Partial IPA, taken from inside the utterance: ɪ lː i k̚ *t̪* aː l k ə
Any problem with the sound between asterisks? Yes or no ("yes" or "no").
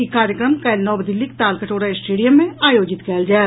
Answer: no